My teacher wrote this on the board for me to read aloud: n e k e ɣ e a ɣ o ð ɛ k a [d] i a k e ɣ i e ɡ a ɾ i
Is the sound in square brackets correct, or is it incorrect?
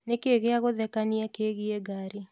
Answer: incorrect